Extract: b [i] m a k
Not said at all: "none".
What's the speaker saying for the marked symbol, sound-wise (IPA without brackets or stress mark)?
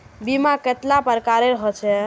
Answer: i